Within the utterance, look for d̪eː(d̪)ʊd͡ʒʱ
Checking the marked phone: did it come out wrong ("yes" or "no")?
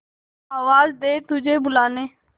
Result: yes